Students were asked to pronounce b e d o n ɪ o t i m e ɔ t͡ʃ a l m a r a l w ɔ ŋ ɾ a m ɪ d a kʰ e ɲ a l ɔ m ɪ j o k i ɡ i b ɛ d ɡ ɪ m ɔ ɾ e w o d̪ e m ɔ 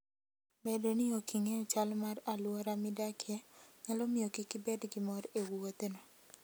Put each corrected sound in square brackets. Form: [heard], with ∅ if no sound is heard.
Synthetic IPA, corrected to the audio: b e d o n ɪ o [k] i [ŋ] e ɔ t͡ʃ a l m a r a l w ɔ [∅] ɾ a m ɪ d a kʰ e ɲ a l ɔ m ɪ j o k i [k] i b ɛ d ɡ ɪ m ɔ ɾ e w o [t̪] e [n] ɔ